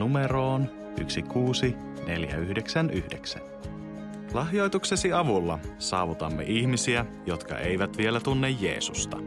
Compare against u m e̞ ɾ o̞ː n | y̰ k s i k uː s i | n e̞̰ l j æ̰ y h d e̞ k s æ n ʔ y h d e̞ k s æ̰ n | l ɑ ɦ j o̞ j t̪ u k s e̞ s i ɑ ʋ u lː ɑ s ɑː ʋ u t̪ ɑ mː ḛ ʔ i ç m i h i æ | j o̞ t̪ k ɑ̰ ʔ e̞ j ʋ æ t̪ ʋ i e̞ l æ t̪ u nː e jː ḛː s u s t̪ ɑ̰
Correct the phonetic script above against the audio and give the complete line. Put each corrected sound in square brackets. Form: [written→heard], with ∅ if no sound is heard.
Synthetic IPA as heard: u m e̞ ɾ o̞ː n | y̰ k s i k uː s i | n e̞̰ l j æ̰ y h d e̞ k s æ n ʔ y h d e̞ k s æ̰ n | l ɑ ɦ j o̞ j t̪ u k s e̞ s i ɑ ʋ u lː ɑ s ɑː ʋ u t̪ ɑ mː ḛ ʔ i ç m i [h→s] i æ | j o̞ t̪ k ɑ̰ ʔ e̞ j ʋ æ t̪ ʋ i e̞ l æ t̪ u nː e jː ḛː s u s t̪ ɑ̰